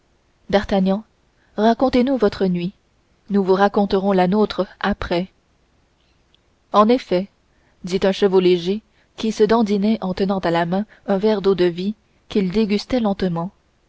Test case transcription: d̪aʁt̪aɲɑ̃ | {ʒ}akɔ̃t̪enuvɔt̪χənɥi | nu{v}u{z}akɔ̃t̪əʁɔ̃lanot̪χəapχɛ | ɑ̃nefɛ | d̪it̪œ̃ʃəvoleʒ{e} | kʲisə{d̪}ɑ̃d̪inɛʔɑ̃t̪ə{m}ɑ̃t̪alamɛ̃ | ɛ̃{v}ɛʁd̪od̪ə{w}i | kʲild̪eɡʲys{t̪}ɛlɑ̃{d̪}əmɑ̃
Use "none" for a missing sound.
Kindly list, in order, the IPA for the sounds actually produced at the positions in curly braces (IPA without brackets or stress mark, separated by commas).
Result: ʁ, v, ʁ, e, d̪, n, v, v, t̪, t̪